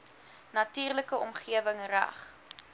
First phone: n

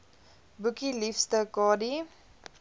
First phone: b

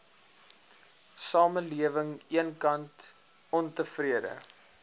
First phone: s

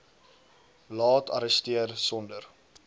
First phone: l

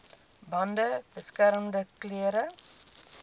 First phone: b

